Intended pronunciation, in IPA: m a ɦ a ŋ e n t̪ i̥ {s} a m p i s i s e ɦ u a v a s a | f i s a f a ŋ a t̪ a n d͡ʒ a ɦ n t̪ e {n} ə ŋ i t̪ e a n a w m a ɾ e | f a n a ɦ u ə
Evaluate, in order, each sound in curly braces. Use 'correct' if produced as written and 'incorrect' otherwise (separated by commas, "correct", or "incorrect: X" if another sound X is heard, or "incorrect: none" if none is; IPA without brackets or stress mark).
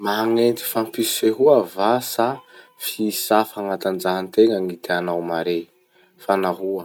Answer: incorrect: f, incorrect: ŋ